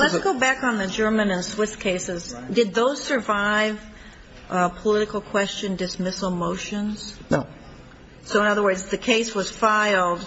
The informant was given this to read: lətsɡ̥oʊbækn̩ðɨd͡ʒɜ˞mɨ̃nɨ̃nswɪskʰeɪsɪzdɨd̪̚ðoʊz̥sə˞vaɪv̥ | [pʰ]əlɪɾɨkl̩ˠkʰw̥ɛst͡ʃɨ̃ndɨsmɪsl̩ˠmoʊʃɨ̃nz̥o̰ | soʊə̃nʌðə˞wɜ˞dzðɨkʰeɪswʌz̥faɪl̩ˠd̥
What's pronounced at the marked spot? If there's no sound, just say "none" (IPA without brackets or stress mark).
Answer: pʰ